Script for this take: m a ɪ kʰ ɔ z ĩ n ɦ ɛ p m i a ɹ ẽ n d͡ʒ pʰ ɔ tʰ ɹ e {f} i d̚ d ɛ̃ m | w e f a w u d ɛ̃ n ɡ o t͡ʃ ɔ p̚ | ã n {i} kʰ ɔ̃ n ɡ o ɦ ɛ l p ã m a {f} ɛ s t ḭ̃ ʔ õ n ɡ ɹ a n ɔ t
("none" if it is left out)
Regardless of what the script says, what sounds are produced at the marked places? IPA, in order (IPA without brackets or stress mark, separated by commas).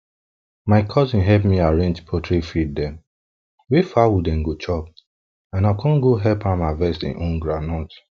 f, a, v